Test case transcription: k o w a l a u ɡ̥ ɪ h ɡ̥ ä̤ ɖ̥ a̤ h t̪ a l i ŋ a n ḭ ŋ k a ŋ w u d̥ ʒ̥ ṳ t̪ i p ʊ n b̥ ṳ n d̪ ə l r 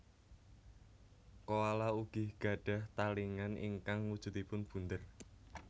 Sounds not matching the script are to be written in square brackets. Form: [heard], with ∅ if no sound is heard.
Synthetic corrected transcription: k o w a l a u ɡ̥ ɪ h ɡ̥ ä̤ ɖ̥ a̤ h t̪ a l i ŋ a n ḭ ŋ k a ŋ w u d̥ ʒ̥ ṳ t̪ i p ʊ n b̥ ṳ n d̪ ə [∅] r